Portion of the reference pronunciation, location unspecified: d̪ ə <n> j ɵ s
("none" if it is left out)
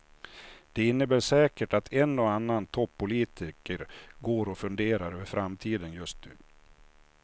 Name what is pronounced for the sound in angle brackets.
n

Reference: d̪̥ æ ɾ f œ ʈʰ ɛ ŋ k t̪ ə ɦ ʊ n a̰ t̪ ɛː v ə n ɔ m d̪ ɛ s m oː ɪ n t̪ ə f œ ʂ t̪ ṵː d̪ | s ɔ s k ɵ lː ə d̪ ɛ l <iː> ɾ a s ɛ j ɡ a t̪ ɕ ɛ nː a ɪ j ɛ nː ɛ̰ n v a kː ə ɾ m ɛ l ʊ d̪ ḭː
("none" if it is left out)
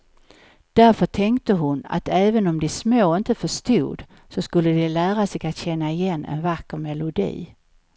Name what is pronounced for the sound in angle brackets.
æː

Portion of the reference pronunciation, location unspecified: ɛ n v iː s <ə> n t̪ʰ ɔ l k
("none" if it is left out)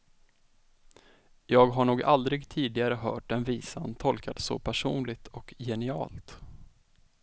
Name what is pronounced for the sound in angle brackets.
a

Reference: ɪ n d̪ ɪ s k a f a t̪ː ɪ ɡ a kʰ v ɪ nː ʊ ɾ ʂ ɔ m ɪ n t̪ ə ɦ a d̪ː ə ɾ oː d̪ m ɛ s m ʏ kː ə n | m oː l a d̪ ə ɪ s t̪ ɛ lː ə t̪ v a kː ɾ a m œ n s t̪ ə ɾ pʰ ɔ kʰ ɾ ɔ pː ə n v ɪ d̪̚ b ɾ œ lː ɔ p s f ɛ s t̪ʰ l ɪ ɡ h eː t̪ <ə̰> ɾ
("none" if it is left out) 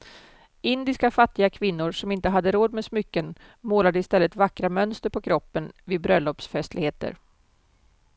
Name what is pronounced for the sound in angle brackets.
ə̰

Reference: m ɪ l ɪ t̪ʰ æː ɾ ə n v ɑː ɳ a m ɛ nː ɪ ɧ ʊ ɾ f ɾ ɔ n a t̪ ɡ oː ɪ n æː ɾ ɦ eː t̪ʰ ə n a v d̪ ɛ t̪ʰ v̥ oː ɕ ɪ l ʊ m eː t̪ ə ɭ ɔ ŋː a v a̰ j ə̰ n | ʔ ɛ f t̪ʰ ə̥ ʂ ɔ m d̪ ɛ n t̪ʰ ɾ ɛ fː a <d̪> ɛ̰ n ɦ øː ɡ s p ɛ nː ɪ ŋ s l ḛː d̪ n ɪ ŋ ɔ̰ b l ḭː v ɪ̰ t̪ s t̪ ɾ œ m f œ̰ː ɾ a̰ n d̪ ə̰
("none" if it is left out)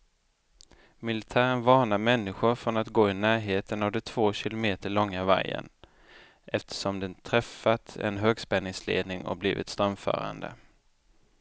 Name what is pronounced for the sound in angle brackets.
t̪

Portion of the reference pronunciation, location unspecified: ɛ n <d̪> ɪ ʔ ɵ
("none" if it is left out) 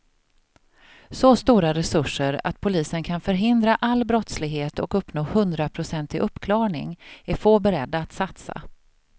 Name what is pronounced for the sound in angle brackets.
t̪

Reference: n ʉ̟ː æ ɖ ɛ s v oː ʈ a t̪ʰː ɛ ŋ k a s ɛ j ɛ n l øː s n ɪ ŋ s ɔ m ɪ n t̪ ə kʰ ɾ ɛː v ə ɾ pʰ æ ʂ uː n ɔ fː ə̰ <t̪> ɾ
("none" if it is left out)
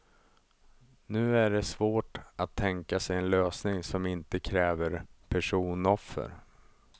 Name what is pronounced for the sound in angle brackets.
none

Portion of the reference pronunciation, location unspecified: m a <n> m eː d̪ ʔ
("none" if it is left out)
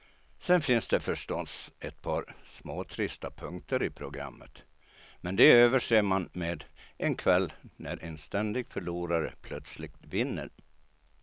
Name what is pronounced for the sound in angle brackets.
n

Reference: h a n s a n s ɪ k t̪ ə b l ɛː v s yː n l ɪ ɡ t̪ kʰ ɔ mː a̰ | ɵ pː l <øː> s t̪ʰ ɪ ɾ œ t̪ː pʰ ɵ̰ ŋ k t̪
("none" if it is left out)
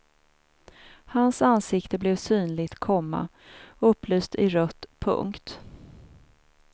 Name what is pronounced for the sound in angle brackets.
yː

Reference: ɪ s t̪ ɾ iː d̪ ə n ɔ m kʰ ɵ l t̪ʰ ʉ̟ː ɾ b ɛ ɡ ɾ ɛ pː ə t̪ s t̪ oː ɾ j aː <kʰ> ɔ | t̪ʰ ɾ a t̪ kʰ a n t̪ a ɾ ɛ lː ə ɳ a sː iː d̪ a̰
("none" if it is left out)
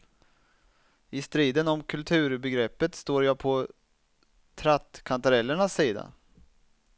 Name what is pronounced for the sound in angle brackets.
pʰ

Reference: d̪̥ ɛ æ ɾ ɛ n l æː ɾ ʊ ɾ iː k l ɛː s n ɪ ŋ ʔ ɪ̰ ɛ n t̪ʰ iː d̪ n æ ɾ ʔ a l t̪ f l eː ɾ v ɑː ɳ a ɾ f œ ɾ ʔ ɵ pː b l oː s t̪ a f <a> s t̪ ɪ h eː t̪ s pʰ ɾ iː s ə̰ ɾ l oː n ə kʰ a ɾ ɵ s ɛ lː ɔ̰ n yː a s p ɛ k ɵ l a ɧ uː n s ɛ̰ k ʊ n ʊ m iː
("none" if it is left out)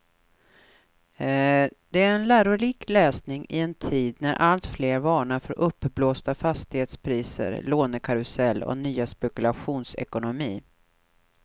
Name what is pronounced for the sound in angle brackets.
a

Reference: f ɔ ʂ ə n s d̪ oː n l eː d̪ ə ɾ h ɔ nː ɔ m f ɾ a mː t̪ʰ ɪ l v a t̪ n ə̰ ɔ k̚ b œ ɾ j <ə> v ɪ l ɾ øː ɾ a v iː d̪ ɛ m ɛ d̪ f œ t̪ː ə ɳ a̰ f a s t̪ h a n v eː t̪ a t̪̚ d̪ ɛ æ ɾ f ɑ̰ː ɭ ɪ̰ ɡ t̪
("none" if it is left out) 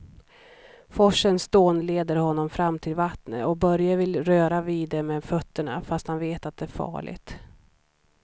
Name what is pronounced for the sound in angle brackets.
a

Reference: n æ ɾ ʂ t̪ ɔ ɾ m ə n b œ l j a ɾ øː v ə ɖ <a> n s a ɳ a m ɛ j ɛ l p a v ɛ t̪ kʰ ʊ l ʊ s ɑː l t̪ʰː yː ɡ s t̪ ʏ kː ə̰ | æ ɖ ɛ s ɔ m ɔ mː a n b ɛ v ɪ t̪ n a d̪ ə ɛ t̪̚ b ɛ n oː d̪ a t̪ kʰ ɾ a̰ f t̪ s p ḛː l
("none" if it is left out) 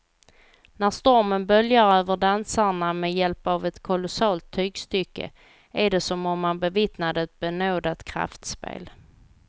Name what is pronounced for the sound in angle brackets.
a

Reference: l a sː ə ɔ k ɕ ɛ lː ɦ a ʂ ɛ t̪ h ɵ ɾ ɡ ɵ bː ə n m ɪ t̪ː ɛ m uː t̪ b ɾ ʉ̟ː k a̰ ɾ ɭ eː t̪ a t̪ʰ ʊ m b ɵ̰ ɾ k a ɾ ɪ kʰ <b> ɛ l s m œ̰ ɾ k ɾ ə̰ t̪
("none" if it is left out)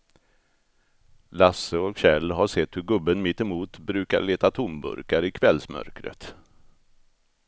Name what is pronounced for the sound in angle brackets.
v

